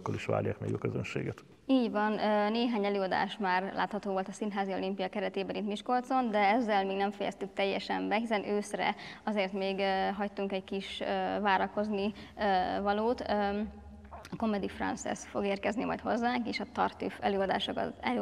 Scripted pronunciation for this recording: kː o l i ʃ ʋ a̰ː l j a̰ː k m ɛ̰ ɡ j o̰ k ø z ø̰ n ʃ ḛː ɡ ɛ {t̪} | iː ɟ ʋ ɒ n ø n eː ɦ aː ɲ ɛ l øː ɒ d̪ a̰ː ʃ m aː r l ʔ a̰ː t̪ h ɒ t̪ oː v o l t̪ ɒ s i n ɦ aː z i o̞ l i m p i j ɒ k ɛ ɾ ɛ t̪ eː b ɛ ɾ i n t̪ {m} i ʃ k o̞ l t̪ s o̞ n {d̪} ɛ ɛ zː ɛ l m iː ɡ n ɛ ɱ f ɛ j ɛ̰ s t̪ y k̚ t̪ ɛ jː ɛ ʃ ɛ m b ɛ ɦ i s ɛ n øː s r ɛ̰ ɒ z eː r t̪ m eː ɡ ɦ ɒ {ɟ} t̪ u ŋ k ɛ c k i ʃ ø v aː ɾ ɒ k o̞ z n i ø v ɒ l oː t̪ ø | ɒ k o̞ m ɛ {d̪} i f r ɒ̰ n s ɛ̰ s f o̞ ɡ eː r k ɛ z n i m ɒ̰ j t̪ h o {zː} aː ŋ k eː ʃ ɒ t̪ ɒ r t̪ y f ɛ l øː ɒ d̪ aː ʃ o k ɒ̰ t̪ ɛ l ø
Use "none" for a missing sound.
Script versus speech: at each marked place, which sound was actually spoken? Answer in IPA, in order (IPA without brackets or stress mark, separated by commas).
t̪, m, d̪, c, d̪, zː